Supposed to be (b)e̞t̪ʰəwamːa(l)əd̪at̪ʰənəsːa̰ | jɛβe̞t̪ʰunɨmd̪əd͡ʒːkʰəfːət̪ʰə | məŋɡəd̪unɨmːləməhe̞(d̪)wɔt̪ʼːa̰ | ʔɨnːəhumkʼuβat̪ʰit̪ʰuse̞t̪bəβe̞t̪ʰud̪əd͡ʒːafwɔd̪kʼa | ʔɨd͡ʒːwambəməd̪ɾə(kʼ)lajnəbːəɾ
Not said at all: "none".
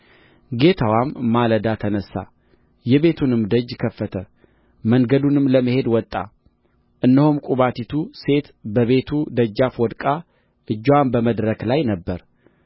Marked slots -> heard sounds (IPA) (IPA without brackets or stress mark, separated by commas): ɡ, l, d̪, k